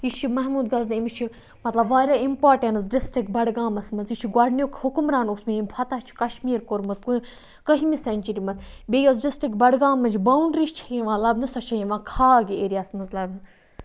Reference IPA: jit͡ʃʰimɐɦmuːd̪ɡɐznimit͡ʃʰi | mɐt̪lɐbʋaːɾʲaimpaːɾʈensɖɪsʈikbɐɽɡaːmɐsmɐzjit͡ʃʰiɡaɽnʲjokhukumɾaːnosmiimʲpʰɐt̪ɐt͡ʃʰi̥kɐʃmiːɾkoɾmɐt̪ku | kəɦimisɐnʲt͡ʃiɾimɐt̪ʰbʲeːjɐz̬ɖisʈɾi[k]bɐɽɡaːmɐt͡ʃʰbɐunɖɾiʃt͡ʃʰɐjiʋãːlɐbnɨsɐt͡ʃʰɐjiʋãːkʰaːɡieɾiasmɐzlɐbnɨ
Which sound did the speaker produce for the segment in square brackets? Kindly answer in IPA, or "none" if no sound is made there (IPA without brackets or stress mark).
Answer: k